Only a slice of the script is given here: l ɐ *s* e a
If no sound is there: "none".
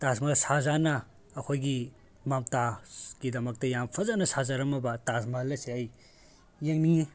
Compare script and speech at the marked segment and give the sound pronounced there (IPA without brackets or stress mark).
s